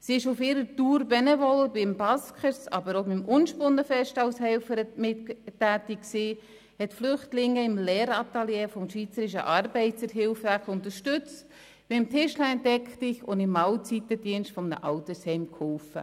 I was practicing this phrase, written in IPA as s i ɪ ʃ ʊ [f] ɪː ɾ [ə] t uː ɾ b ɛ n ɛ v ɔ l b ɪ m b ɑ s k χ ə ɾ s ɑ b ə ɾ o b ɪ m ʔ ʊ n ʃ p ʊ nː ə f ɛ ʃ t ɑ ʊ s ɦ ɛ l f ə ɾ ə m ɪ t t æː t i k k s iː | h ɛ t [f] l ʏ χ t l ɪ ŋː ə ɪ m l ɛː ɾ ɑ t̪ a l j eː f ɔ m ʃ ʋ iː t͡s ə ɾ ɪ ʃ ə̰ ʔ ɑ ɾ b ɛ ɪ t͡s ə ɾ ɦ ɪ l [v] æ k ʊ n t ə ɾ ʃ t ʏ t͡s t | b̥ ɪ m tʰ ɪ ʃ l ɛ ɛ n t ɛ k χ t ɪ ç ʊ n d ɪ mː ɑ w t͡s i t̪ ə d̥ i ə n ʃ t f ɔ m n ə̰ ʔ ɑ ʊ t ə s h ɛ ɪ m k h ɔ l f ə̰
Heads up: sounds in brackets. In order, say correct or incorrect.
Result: correct, correct, correct, incorrect: f

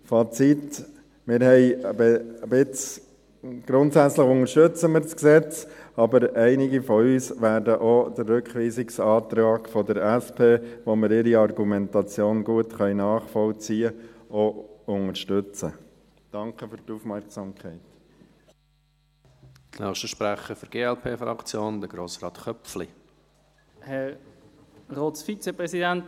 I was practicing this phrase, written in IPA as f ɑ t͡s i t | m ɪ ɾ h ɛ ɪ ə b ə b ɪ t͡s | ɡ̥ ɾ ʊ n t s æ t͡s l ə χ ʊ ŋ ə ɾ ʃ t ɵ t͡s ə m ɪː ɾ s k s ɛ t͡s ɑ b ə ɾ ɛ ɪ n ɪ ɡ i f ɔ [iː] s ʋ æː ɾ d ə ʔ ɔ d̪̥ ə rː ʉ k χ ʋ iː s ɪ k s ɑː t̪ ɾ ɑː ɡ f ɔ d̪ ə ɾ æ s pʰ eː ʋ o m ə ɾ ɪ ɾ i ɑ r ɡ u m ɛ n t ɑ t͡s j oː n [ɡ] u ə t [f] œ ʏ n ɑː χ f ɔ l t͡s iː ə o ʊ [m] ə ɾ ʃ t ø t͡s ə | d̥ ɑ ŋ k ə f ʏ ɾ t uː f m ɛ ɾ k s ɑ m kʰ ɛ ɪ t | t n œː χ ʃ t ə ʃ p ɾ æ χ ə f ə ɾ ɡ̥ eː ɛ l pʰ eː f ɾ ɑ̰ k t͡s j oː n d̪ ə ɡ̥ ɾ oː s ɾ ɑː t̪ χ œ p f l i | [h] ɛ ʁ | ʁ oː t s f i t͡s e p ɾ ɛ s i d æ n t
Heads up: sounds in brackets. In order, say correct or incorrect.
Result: incorrect: yː, correct, incorrect: χ, incorrect: ŋ, correct

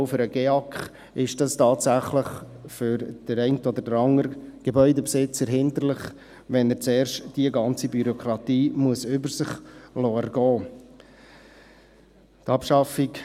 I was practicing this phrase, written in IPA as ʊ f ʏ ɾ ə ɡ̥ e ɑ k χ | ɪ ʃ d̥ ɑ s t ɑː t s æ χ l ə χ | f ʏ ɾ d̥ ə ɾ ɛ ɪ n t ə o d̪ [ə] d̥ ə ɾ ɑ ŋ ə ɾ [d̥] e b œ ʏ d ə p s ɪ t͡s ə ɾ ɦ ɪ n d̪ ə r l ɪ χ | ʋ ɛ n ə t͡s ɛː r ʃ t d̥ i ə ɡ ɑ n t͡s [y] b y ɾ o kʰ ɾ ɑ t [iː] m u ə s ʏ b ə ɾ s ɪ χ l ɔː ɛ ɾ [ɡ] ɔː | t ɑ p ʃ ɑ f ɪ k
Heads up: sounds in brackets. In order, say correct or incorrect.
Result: correct, incorrect: ɡ̥, incorrect: i, correct, correct

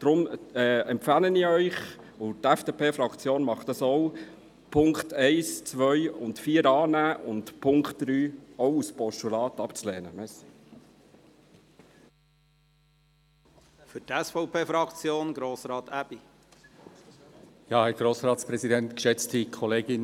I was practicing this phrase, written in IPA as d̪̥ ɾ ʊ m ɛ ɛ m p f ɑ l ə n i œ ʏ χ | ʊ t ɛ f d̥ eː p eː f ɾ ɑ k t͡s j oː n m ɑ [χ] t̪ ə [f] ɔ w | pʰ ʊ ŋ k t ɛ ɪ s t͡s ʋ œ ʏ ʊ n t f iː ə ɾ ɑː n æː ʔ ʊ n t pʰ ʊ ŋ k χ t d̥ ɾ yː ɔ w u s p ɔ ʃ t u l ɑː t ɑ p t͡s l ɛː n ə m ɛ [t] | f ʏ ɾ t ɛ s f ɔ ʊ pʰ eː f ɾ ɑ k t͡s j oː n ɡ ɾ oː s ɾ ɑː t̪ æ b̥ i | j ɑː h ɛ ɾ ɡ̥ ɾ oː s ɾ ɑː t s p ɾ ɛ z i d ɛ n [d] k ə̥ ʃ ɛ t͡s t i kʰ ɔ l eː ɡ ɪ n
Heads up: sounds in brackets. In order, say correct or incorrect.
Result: correct, incorrect: s, incorrect: s, incorrect: t

